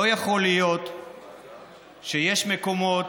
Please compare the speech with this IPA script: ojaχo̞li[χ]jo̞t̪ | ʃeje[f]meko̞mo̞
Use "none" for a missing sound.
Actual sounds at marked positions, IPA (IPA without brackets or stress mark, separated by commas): none, ʃ